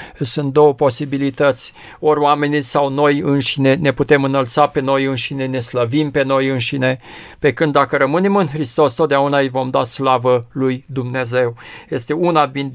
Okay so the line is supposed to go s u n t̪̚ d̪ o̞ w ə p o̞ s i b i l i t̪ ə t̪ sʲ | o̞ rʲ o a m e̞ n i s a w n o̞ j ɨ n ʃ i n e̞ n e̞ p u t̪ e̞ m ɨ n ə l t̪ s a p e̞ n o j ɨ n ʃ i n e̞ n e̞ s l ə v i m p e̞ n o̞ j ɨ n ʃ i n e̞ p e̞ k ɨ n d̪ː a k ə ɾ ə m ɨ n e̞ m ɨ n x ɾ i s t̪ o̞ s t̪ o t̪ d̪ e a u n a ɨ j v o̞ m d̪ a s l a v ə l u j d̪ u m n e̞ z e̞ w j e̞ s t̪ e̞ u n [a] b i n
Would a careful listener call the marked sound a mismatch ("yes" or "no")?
no